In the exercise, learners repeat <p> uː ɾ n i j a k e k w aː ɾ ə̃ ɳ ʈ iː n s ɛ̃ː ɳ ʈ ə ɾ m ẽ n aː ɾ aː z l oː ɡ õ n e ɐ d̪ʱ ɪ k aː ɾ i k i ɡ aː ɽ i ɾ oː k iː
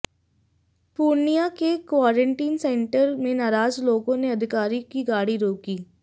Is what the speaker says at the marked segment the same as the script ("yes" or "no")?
yes